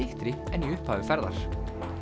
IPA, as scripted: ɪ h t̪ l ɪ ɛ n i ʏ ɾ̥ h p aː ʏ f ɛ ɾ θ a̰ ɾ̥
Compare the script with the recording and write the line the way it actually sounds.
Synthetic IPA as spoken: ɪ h t̪ ɾ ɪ ɛ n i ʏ h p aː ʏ f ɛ ɾ ð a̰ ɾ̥